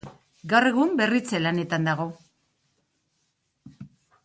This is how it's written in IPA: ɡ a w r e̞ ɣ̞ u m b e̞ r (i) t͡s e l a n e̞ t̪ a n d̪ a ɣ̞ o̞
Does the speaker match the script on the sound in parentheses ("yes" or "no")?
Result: yes